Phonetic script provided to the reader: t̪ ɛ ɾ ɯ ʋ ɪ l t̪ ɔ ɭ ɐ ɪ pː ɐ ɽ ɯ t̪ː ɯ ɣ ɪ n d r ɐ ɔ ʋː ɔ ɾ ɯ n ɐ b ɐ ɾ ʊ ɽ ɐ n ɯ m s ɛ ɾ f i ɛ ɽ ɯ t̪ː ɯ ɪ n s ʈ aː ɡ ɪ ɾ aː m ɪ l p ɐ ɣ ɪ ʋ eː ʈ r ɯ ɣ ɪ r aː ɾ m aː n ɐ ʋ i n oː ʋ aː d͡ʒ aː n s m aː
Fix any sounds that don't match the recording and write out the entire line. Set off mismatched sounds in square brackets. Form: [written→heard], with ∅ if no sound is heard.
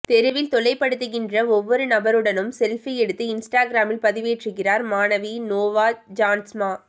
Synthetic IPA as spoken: t̪ ɛ ɾ ɯ ʋ ɪ l t̪ ɔ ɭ ɐ ɪ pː ɐ ɽ ɯ t̪ː ɯ ɣ ɪ n d r ɐ ɔ ʋː ɔ ɾ ɯ n ɐ b ɐ ɾ [ʊ→ɯ] ɽ ɐ n ɯ m s ɛ [ɾ→l] f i ɛ ɽ ɯ t̪ː ɯ ɪ n s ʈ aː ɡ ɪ ɾ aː m ɪ l p ɐ [ɣ→ð] ɪ ʋ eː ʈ r ɯ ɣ ɪ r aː ɾ m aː n ɐ ʋ i n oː ʋ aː d͡ʒ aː n s m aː